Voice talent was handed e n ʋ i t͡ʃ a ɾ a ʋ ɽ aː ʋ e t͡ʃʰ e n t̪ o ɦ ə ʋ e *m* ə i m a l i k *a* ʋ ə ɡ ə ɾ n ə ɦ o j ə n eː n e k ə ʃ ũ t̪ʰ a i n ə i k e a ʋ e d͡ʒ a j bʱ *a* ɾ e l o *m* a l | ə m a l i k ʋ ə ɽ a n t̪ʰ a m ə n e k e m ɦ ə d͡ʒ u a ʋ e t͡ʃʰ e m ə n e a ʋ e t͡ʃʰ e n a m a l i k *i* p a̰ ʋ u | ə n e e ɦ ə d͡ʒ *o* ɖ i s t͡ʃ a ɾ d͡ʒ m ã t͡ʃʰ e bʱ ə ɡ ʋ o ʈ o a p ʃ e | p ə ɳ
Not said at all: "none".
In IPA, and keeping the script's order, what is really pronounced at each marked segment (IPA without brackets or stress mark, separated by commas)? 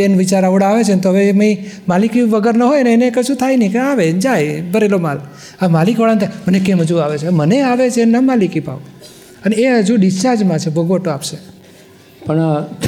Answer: m, i, ə, m, i, u